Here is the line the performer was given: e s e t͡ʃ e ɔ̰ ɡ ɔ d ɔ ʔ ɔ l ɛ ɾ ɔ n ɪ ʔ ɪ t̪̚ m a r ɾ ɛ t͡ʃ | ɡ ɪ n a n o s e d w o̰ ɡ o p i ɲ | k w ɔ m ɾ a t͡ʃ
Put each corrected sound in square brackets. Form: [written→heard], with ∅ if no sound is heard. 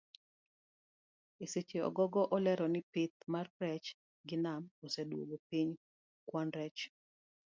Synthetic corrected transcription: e s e t͡ʃ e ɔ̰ ɡ ɔ [d→ɡ] ɔ ʔ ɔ l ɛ ɾ ɔ n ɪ [ʔ→p] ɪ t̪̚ m a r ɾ ɛ t͡ʃ | ɡ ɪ n a [n→m] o s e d w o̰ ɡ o p i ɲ | k w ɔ [m→n] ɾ [a→ɛ] t͡ʃ